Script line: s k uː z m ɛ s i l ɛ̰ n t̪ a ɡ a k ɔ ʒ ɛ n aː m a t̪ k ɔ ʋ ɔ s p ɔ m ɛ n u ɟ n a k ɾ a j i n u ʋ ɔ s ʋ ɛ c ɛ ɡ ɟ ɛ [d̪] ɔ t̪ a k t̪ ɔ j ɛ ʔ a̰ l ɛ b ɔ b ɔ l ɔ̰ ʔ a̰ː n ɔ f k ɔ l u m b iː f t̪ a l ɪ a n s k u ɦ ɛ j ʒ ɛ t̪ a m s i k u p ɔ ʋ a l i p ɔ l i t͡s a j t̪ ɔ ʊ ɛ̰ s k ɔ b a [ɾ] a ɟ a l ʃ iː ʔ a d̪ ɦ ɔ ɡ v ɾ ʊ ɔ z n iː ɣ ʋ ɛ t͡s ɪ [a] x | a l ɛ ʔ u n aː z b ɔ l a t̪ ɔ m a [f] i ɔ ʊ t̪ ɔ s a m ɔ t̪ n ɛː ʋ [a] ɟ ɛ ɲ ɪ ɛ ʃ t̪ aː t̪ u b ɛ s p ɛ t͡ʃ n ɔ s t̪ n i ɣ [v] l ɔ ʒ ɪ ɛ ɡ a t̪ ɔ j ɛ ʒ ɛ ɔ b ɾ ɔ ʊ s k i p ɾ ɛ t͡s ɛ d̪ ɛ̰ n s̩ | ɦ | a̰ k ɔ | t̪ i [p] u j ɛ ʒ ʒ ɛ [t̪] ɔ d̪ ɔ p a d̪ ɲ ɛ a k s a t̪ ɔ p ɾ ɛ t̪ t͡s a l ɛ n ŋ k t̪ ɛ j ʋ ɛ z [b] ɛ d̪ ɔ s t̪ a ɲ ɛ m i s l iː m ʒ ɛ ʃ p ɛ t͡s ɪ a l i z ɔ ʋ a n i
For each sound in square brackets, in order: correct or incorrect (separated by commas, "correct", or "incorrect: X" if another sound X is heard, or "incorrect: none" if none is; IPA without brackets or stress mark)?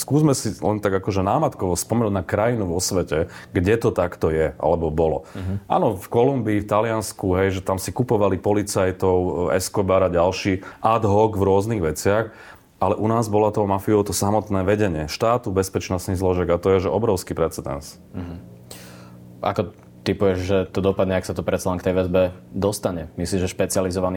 incorrect: t̪, correct, correct, correct, incorrect: ɛ, incorrect: z, correct, correct, correct